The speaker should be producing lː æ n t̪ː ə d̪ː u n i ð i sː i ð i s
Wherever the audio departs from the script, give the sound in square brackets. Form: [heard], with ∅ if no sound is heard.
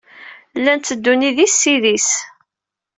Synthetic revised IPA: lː æ n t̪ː ə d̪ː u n i ð i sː i ð i s